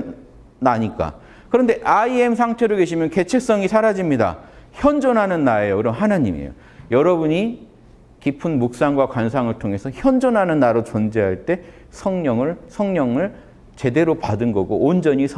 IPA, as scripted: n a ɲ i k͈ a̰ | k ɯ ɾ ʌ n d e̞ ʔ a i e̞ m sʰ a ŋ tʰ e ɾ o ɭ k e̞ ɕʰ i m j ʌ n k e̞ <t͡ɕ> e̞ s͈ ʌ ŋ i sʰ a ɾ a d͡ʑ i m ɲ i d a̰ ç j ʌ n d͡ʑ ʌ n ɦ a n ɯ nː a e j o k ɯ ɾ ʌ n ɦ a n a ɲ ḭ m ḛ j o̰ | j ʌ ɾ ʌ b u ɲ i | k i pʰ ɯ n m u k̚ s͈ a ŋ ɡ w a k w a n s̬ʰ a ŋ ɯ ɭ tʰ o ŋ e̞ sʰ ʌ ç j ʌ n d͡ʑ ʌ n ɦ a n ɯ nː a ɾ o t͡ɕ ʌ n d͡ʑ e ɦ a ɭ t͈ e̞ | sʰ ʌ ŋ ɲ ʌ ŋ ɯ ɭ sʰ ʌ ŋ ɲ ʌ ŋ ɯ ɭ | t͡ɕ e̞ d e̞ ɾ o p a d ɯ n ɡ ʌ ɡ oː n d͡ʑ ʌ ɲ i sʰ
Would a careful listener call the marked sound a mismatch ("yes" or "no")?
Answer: yes